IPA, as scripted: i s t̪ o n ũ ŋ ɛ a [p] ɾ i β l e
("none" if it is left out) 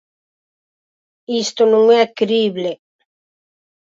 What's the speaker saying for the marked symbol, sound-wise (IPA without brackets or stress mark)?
k